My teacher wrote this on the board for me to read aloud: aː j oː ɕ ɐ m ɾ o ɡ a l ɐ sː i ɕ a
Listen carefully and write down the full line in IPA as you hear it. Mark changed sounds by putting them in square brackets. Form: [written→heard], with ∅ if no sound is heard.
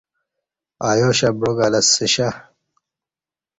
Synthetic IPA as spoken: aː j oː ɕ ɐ [m→b] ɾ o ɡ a l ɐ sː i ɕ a

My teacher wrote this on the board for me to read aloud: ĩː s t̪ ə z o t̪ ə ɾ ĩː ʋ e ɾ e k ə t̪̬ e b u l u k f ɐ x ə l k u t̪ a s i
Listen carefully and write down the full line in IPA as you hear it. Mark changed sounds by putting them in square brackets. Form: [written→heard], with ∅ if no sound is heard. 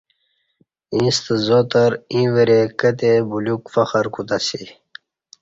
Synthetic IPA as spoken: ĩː s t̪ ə z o t̪ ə ɾ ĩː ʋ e ɾ e k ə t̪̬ e b u l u k f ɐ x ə [l→ɾ] k u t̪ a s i

